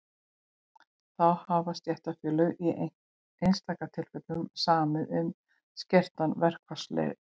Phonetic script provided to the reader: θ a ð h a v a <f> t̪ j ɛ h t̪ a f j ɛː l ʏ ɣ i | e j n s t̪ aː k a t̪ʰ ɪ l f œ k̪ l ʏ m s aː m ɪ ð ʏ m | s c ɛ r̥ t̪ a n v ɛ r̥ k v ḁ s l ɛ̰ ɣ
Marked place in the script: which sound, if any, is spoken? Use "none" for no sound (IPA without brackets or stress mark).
s